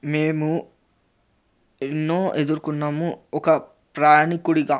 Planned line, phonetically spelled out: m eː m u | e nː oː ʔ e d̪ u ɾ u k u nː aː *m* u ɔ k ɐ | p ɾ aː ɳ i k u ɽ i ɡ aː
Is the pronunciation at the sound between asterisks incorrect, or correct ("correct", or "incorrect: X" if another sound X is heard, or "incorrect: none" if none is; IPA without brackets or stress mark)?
correct